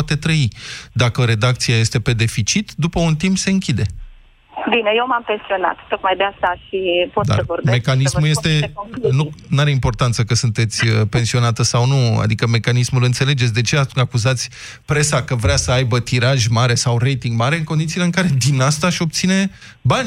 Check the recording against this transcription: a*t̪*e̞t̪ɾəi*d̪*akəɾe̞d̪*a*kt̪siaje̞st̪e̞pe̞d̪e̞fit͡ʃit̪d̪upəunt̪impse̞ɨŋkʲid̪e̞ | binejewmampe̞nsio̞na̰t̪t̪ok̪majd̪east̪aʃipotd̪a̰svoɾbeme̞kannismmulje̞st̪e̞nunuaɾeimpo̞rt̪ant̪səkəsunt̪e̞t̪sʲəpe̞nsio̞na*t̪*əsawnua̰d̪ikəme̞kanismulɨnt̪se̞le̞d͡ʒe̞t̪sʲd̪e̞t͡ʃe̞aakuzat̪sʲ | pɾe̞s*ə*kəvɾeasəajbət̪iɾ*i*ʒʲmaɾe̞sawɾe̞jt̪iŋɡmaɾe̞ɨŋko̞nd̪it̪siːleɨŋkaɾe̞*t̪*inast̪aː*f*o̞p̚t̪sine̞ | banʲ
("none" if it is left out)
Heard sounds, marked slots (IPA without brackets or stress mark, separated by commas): t̪, d̪, a, t̪, a, a, d̪, ʃ